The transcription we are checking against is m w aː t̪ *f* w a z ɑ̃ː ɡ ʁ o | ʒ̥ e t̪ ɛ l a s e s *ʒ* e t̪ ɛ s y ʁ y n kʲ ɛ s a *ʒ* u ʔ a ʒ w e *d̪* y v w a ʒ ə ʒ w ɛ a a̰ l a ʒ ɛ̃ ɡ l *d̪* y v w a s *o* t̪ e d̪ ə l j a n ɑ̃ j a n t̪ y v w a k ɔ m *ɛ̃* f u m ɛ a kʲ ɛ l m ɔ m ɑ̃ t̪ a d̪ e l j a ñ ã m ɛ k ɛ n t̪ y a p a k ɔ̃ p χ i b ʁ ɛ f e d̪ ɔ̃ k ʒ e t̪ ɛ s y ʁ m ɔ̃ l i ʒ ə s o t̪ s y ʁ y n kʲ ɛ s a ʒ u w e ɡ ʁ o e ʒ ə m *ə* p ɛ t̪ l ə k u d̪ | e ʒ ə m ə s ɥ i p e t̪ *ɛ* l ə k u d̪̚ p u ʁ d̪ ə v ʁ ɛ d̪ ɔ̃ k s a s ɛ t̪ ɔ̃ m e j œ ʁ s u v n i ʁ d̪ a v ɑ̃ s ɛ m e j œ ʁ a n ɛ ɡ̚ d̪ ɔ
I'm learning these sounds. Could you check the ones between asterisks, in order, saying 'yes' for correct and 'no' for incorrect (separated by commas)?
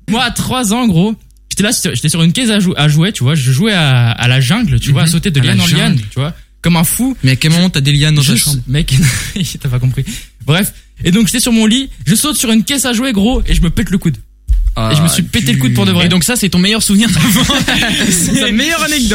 no, yes, yes, no, no, yes, yes, yes, no